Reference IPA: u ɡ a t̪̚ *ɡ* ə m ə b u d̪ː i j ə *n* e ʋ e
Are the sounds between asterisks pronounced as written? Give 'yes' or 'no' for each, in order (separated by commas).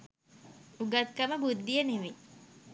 no, yes